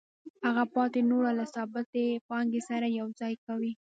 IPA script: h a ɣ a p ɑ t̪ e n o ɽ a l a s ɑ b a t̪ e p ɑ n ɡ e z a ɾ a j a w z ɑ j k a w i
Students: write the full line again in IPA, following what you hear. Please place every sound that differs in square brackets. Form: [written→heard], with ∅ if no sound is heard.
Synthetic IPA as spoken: h a ɣ a p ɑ t̪ e n o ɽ a l a s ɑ b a t̪ e p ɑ [n→ŋ] ɡ e [z→s] a ɾ a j a w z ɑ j k a w i